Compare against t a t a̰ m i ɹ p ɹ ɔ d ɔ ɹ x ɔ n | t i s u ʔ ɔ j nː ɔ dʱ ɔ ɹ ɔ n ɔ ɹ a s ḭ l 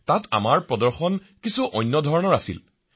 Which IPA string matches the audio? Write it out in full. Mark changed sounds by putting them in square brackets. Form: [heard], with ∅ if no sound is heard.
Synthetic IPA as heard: t a t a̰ m [a] ɹ p ɹ ɔ d ɔ ɹ x ɔ n | [k] i s u ʔ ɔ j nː ɔ dʱ ɔ ɹ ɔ n ɔ ɹ a s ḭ l